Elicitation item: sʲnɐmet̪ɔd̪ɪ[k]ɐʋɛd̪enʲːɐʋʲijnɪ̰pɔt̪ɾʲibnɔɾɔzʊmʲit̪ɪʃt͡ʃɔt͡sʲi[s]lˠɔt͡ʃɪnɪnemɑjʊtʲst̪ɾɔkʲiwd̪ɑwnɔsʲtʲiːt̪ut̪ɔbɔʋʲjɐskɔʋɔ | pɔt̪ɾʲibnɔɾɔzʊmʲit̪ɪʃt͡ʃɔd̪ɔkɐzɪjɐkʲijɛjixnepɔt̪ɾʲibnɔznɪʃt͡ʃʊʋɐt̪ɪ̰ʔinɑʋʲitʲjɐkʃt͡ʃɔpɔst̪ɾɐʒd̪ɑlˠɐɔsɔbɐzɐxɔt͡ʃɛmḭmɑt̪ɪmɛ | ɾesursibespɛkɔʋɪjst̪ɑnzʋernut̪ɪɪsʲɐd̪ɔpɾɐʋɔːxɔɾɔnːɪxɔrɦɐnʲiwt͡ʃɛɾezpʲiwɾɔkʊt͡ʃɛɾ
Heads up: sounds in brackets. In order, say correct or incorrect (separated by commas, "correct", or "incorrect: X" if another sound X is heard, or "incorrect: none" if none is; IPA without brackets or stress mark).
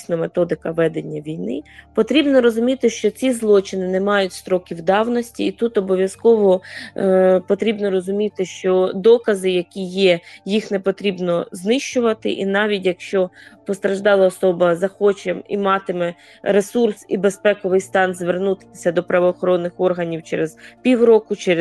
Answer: correct, incorrect: z